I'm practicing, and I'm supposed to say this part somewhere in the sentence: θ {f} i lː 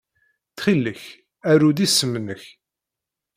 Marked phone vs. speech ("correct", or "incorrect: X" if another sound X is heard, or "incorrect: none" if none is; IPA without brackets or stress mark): incorrect: χ